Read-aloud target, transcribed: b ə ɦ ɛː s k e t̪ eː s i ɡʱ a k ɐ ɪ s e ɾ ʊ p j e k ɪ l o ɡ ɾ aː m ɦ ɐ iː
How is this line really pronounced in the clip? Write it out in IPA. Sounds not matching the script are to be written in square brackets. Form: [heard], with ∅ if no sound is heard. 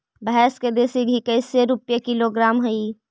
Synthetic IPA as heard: b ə ɦ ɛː s k e [d̪] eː s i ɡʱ [i] k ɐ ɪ s e ɾ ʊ p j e k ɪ l o ɡ ɾ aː m ɦ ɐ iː